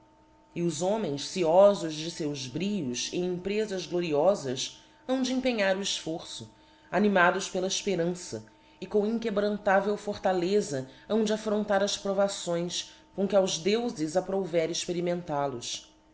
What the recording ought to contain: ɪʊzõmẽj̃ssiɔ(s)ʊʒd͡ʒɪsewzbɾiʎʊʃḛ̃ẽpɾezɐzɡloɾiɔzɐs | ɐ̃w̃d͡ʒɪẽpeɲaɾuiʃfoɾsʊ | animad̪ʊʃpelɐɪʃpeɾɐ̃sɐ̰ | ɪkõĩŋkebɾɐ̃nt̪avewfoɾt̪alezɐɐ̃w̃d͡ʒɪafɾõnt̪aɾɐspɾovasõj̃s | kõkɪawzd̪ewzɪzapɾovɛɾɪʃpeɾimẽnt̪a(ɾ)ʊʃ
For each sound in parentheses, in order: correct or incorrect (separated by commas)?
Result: incorrect, incorrect